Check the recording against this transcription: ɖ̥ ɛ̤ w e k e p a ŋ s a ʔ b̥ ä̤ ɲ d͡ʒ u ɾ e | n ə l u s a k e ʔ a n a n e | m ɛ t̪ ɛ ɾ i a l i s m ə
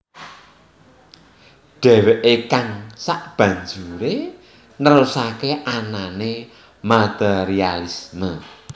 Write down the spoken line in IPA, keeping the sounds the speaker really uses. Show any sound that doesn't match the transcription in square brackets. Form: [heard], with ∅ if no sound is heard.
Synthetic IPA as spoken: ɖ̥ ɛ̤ w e [ʔ] e [k] a ŋ s a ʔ b̥ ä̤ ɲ d͡ʒ u ɾ e | n ə [ɾ] u s a k e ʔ a n a n e | m [a] t̪ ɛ ɾ i a l i s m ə

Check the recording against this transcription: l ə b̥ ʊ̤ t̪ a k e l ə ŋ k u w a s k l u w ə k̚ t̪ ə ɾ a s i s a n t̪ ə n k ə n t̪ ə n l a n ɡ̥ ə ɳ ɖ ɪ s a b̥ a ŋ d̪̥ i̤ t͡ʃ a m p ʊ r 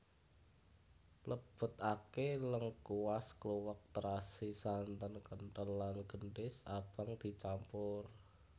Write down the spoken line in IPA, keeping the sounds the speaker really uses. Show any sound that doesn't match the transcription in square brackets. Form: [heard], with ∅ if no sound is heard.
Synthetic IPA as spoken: l ə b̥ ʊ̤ t̪ a k e l ə ŋ k u w a s k l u w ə k̚ t̪ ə ɾ a s i s a n t̪ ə n k ə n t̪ ə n l a n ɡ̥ ə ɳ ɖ ɪ s a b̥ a ŋ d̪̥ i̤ t͡ʃ a m p ʊ r

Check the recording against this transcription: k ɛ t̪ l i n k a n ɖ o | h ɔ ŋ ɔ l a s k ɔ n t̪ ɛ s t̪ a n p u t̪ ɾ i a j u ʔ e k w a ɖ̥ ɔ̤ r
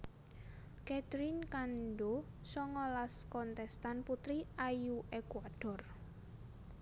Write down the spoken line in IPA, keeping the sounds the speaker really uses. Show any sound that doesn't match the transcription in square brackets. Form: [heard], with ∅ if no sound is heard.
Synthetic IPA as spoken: k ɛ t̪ [ɾ] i n k a n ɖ o | [s] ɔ ŋ ɔ l a s k ɔ n t̪ ɛ s t̪ a n p u t̪ ɾ i a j u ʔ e k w a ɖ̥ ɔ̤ r

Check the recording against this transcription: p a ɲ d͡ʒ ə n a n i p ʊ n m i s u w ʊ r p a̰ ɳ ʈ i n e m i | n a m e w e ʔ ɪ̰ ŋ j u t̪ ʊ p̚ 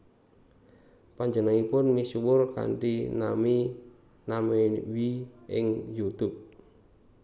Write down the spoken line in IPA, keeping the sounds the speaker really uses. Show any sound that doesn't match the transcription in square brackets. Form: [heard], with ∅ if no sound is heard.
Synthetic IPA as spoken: p a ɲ d͡ʒ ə n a [ŋ] i p ʊ n m i s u w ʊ r [k] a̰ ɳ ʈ i n [a] m i | n a m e w [i] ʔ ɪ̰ ŋ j u t̪ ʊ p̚

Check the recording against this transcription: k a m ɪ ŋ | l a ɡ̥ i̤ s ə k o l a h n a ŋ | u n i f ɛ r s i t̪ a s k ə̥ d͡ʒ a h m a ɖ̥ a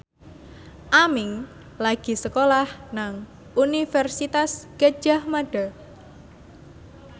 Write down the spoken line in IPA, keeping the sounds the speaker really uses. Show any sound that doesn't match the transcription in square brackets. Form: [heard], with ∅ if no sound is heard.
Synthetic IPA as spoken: [ʔ] a m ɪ ŋ | l a ɡ̥ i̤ s ə k o l a h n a ŋ | u n i f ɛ r s i t̪ a s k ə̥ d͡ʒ a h m a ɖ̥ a

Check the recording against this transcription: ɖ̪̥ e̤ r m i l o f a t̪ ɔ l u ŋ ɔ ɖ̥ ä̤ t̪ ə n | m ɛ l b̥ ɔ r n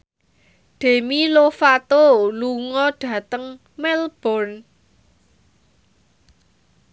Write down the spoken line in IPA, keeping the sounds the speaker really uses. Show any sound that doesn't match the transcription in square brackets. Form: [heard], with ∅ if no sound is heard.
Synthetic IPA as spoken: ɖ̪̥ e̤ [∅] m i l o f a t̪ [o] l u ŋ ɔ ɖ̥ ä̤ t̪ ə [ŋ] | m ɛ l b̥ ɔ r n

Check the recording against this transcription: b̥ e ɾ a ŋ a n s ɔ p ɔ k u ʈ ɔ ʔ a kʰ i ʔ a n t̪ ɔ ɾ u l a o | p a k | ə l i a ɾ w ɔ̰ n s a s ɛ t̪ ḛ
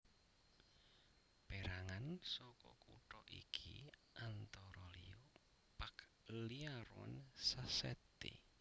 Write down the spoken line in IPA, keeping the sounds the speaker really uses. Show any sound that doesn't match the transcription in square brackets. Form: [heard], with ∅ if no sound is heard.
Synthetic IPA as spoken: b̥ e ɾ a ŋ a n s ɔ [k] ɔ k u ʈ ɔ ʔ [i] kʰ i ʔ a n t̪ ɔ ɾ [ɔ] l [i] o | p a k | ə l i a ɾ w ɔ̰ n s a s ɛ t̪ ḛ

